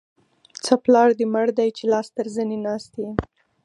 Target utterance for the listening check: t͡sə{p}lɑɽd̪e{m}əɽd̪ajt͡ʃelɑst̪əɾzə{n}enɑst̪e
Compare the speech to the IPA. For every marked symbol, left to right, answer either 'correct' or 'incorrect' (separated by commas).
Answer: correct, correct, correct